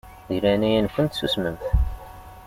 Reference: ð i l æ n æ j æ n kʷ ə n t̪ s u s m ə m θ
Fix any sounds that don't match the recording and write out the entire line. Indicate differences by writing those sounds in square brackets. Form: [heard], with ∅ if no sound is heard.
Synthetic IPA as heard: ð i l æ n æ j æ n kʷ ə n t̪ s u s m ə m θ

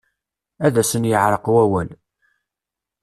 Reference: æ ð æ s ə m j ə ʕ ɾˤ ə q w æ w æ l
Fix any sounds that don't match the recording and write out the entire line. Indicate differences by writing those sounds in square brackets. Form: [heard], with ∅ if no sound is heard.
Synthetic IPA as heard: æ ð æ s ə [n] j ə ʕ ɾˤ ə q w æ w æ l

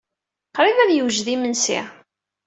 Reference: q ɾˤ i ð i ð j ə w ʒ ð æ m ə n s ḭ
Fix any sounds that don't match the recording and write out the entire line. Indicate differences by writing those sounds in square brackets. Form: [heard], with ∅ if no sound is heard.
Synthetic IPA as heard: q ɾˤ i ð [æ] ð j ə w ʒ ð [i] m ə n s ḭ

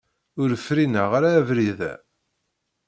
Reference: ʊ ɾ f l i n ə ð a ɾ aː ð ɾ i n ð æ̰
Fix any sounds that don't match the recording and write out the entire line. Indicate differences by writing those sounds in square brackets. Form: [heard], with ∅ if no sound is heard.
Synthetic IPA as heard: ʊ ɾ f [ɾ] i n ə [ʁ] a ɾ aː [v] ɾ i [∅] ð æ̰

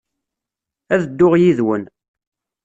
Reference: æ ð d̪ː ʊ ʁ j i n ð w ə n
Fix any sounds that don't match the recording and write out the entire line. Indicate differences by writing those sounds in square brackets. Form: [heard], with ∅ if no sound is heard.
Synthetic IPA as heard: æ ð d̪ː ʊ ʁ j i [∅] ð w ə n

